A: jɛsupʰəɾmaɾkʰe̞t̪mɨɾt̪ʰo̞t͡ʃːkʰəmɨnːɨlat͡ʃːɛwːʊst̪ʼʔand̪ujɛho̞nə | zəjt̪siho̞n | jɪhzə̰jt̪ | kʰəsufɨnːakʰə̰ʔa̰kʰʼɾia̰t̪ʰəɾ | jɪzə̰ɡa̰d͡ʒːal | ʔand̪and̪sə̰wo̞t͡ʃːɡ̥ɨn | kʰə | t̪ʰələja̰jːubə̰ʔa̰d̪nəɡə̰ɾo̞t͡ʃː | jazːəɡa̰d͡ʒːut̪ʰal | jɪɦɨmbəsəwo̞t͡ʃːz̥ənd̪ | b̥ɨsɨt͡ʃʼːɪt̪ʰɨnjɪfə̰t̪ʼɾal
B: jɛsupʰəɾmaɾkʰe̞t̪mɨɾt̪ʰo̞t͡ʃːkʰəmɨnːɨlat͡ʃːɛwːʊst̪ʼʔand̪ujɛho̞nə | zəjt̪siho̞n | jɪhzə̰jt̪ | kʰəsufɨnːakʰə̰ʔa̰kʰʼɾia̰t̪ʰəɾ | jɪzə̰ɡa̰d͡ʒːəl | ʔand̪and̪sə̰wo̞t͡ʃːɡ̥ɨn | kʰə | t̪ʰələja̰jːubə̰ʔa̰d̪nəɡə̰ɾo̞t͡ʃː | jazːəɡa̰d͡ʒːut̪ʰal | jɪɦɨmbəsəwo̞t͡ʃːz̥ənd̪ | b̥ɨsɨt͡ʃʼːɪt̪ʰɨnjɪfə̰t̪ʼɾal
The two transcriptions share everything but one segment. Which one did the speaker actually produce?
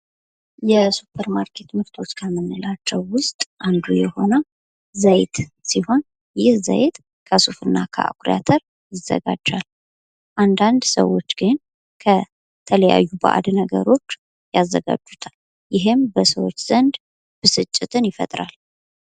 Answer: A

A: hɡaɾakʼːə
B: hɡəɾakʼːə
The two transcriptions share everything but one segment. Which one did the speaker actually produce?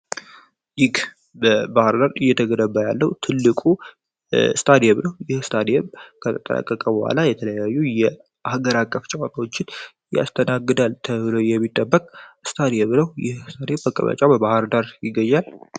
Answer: B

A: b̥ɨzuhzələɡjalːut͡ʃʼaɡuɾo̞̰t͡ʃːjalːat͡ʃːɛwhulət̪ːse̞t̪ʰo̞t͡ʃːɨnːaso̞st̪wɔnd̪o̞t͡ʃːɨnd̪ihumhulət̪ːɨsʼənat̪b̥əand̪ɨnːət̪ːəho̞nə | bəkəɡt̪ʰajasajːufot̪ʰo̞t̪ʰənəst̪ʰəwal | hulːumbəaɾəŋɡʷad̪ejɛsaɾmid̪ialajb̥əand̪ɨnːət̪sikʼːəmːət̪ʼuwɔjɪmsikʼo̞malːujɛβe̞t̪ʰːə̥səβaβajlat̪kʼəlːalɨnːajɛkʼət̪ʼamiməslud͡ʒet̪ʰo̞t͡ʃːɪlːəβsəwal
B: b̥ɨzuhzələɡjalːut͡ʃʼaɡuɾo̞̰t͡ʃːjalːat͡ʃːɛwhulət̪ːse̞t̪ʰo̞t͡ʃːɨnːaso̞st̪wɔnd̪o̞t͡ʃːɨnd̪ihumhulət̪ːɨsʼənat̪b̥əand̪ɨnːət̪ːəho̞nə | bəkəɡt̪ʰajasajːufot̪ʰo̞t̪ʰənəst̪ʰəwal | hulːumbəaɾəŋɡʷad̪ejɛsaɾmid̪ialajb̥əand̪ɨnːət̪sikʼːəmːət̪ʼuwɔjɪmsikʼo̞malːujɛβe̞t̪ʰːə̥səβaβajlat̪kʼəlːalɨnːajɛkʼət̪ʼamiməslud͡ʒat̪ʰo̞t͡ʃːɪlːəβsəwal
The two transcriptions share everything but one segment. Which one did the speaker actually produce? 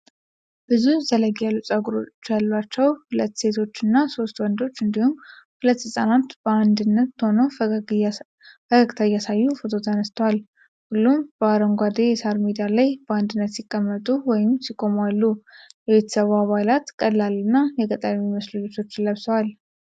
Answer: A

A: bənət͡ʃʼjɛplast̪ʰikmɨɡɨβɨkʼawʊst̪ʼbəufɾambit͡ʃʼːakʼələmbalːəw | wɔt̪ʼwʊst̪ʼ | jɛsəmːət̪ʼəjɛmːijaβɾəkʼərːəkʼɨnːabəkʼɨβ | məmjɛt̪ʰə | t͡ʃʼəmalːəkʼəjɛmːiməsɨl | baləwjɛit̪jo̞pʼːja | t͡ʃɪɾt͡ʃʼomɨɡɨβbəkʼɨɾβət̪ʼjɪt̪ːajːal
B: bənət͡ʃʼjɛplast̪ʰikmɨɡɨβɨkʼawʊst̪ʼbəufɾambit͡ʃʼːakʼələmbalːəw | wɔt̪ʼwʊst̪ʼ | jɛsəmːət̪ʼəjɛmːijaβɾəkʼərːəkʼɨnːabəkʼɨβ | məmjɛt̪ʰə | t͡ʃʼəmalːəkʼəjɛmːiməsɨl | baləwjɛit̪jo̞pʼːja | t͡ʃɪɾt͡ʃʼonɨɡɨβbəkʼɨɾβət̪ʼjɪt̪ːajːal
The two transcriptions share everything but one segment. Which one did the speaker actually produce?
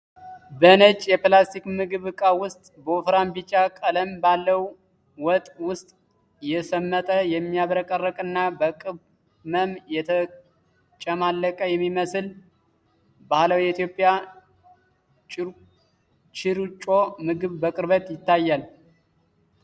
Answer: A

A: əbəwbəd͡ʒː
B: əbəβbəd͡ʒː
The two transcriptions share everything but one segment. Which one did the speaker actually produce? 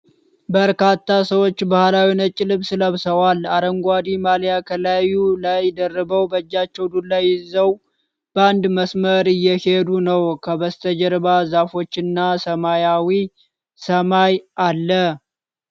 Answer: A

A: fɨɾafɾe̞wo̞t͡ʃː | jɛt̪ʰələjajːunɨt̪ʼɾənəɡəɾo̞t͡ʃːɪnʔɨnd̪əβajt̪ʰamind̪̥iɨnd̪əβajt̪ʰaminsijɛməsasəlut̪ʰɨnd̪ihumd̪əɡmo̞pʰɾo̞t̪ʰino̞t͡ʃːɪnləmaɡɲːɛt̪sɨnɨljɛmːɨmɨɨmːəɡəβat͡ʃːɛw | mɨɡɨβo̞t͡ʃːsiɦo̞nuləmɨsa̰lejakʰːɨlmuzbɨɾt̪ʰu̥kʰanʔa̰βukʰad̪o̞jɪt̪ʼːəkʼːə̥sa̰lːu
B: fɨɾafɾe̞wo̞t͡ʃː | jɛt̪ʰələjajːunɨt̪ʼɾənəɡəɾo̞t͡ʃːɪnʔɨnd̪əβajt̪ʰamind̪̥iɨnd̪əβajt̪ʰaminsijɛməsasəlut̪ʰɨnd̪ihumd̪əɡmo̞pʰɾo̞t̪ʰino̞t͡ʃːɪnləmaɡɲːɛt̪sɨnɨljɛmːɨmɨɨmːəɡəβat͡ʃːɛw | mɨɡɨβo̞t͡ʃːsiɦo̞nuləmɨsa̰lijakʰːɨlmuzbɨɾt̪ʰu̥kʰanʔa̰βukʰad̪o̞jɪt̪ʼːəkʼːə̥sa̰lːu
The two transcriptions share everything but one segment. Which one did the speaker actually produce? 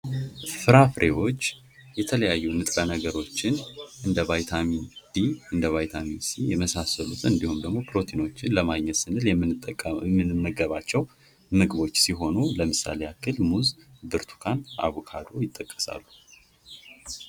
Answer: A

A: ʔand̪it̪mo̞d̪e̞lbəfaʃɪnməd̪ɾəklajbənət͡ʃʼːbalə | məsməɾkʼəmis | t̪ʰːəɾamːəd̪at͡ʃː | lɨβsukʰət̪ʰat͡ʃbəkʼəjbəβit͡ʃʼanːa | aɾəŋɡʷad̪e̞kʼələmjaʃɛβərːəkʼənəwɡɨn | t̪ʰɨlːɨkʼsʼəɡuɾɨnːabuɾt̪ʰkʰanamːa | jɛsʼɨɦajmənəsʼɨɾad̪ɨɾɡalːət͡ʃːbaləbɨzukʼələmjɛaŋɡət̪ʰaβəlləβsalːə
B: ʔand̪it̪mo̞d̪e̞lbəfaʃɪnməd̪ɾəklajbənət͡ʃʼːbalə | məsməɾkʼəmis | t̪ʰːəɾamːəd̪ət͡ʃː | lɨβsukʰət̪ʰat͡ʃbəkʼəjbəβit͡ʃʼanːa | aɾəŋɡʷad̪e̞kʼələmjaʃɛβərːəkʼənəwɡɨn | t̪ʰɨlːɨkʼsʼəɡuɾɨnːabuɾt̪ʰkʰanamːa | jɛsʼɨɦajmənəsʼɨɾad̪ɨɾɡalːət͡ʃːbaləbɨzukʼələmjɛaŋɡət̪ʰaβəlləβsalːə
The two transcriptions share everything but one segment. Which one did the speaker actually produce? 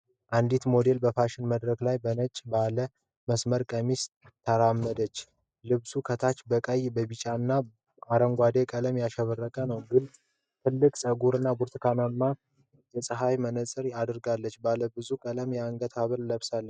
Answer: B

